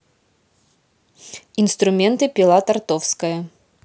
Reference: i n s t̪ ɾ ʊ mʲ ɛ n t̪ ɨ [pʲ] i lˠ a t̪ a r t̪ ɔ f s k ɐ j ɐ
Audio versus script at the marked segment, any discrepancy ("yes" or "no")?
no